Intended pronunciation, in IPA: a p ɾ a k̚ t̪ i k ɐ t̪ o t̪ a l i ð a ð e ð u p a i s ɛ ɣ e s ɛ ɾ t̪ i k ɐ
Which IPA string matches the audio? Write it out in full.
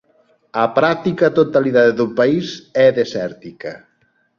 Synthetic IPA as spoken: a p ɾ a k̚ t̪ i k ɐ t̪ o t̪ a l i ð a ð e ð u p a i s ɛ ð e s ɛ ɾ t̪ i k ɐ